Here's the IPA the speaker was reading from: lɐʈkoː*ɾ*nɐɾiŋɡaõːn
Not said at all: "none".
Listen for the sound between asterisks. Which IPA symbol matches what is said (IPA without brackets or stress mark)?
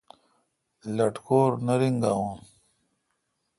ɾ